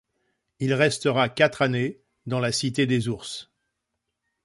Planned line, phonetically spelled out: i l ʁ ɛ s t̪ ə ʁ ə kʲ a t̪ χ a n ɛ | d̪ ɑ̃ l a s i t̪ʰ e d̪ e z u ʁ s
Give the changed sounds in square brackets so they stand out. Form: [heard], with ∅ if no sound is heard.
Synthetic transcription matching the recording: i l ʁ ɛ s t̪ ə ʁ [a] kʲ a t̪ χ a n [e] | d̪ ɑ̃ l a s i [t̪] e d̪ e z u ʁ s